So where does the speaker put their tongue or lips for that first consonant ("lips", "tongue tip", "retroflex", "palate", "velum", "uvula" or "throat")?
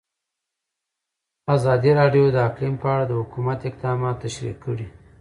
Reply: tongue tip